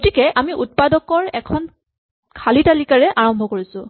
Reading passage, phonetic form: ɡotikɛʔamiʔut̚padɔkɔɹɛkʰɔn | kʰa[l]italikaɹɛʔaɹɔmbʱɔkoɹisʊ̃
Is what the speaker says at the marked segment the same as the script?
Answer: yes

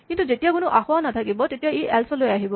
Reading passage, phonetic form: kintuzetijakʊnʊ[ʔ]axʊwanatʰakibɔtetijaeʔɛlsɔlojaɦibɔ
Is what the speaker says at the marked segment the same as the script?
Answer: yes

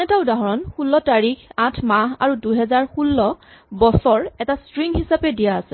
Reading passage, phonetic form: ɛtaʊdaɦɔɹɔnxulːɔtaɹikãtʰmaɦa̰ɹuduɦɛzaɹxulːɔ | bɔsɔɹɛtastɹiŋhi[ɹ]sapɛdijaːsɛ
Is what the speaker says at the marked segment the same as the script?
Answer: no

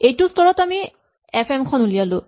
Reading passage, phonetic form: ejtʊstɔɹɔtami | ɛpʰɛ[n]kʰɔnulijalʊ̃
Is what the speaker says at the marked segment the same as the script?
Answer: no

